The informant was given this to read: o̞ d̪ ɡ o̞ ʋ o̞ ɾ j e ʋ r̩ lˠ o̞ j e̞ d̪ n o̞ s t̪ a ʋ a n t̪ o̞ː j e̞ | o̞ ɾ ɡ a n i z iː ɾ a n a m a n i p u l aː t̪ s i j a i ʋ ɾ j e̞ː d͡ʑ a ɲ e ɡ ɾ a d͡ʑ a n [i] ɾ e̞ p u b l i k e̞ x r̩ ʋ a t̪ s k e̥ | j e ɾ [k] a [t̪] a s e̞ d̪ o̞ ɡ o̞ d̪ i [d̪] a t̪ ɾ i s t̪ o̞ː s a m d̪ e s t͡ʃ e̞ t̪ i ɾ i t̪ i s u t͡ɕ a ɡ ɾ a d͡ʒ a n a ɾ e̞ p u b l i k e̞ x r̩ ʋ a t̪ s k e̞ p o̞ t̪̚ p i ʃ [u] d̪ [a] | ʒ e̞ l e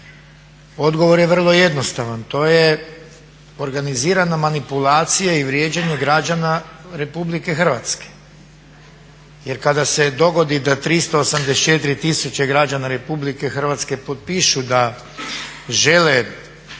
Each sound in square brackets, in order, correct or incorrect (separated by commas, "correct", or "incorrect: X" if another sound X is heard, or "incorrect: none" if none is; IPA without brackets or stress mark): incorrect: a, correct, incorrect: d̪, correct, correct, correct